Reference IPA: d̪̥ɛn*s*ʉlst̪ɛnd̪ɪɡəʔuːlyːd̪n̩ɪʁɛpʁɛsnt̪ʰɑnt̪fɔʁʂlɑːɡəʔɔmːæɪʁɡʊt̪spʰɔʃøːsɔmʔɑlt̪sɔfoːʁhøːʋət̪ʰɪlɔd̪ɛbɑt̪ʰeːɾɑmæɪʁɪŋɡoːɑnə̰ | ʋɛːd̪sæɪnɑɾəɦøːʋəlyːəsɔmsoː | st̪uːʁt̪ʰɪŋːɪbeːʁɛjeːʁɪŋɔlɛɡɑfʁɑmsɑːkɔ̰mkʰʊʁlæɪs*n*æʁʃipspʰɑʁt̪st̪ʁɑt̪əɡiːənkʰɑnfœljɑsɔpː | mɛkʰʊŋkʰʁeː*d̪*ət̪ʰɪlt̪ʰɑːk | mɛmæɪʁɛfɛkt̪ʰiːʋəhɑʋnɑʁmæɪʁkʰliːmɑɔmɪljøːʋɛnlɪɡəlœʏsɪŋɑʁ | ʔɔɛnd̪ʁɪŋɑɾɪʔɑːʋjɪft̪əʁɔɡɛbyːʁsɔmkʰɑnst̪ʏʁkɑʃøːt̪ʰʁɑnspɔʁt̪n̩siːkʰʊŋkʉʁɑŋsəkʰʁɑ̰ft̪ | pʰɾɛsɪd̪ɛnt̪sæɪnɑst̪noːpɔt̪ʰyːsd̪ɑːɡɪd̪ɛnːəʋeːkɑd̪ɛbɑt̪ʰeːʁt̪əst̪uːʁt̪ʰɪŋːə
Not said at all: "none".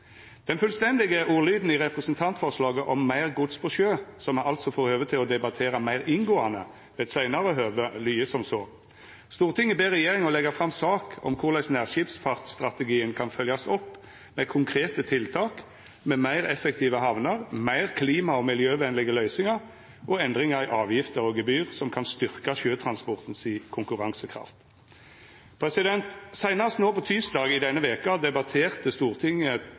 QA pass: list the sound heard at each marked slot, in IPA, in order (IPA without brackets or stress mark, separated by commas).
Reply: f, n, t̪